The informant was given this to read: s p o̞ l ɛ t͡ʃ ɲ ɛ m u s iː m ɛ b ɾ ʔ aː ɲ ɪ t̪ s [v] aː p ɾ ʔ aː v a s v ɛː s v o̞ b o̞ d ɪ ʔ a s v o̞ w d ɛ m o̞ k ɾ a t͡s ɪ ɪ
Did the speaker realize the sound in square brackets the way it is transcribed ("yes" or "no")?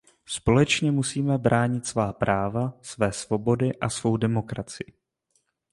yes